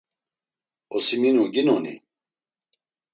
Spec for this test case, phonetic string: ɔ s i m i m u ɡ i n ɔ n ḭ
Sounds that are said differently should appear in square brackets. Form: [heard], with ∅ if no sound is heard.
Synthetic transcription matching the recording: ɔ s i m i [n] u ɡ i n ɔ n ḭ